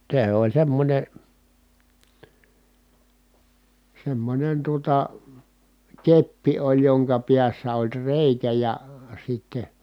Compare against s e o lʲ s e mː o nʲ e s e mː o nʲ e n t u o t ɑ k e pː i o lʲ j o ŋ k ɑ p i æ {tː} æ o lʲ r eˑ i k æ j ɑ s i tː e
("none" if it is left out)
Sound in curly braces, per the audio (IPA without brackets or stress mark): sː